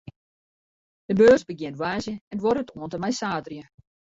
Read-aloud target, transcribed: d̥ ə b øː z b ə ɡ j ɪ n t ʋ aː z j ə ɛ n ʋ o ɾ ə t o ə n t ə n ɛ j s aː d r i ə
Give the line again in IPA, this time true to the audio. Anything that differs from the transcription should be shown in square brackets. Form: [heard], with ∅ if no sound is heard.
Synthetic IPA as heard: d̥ ə b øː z b ə ɡ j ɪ n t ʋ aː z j ə ɛ n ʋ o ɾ ə t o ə n t ə [m] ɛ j s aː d r [j] ə